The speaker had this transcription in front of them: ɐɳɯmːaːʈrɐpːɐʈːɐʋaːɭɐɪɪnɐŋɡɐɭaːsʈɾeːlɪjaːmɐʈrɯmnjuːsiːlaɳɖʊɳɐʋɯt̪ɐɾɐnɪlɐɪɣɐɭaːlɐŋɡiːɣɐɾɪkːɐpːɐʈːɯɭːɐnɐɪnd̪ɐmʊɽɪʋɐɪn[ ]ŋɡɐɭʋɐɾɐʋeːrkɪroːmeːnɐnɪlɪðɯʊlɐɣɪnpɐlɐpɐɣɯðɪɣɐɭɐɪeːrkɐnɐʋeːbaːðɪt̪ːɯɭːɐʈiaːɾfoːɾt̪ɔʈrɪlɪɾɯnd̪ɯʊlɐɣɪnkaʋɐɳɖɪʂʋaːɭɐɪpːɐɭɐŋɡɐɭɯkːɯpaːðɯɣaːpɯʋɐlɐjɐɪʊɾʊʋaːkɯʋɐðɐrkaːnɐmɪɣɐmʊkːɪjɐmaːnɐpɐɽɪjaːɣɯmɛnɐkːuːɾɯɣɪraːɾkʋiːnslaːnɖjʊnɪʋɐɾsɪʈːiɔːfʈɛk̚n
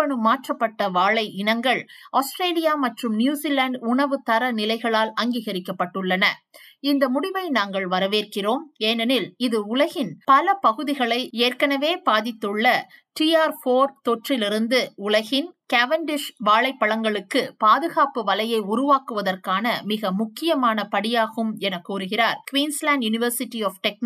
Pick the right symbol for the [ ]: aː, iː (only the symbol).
aː